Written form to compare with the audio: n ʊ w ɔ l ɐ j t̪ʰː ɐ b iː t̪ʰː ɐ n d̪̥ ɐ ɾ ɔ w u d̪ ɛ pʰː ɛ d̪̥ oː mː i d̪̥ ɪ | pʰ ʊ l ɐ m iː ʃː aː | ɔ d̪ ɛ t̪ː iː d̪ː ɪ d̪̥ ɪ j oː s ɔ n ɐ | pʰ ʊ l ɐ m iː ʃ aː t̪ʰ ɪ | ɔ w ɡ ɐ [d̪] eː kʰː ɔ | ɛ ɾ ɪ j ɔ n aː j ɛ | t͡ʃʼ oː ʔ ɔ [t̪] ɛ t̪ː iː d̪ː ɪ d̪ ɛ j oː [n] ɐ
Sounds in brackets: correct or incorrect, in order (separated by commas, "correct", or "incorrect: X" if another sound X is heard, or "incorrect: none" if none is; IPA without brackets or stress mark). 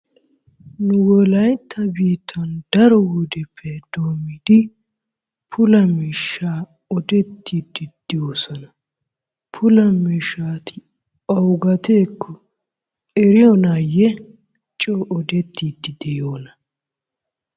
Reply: incorrect: t̪, incorrect: d̪, correct